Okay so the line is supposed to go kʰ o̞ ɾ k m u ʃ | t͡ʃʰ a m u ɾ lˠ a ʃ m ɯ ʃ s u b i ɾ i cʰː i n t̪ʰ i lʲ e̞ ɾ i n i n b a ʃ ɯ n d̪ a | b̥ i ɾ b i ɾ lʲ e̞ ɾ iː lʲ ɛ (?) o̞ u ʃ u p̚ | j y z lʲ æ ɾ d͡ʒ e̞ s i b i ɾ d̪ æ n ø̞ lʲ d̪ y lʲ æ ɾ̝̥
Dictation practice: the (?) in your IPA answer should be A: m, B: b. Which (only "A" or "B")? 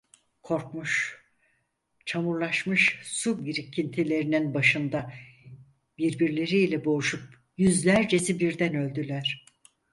B